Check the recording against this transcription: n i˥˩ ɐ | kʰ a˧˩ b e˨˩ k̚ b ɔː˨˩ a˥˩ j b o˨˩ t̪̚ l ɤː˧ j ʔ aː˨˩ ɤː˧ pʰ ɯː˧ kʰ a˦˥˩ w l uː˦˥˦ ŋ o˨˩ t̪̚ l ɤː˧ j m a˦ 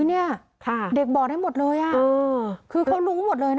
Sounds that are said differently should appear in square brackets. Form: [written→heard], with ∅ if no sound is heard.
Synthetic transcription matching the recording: n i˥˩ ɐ | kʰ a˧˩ [b→d] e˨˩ k̚ b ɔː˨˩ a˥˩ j [b→m] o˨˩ t̪̚ l ɤː˧ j ʔ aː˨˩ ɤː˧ [pʰ→kʰ] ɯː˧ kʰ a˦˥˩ w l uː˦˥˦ [ŋ→m] o˨˩ t̪̚ l ɤː˧ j [m→n] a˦